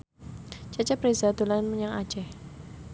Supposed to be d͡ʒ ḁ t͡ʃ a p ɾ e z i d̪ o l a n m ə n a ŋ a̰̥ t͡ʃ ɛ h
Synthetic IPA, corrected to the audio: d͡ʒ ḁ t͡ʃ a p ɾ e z a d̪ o l a n m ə ɲ a ŋ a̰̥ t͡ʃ ɛ h